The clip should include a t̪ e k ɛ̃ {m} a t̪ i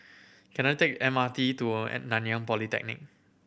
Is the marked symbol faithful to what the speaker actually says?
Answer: yes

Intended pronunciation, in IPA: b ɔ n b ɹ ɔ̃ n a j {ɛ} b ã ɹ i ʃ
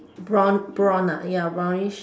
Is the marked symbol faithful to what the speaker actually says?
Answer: no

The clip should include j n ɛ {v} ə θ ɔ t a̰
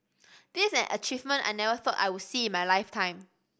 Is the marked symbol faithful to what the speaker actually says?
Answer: yes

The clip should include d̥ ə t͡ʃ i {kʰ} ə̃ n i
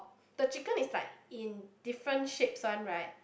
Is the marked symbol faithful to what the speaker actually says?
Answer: no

